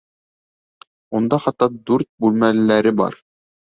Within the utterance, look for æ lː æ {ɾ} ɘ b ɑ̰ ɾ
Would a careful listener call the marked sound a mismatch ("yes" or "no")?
no